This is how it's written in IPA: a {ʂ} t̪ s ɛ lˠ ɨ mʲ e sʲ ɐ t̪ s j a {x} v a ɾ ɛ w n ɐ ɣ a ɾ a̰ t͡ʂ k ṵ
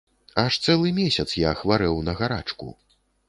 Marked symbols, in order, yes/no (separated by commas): yes, yes